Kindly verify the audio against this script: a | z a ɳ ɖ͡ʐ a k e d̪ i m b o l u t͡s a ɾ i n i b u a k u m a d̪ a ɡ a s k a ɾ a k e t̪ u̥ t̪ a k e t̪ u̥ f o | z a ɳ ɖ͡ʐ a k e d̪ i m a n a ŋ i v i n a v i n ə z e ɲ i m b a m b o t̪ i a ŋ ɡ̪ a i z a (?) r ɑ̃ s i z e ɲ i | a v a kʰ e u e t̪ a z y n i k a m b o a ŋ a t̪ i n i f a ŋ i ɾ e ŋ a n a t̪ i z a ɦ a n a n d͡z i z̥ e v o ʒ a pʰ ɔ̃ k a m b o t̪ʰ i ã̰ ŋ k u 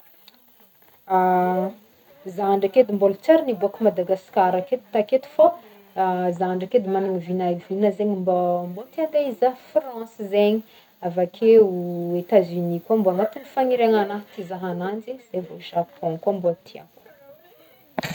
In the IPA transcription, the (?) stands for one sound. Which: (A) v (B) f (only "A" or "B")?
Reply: B